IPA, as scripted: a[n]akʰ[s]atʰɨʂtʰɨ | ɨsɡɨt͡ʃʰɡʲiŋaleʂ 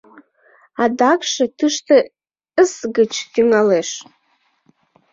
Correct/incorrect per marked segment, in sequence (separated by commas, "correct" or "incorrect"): incorrect, incorrect